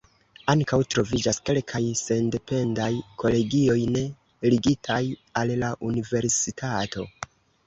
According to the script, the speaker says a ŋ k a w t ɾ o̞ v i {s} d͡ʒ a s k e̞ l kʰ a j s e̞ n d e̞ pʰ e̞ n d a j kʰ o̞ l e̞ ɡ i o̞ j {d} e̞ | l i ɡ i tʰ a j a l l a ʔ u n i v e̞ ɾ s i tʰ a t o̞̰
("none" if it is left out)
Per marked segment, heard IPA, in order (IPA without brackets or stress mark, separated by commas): none, n